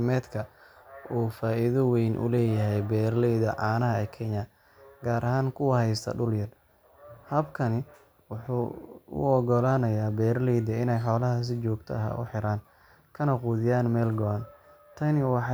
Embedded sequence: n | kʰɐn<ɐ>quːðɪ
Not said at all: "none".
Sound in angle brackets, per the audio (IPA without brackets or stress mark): ɐ